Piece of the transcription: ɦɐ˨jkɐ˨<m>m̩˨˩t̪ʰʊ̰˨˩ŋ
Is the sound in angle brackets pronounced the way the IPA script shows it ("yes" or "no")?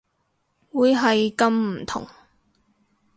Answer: yes